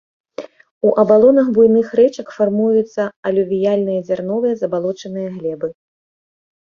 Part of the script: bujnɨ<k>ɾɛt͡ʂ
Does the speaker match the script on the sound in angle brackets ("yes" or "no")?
no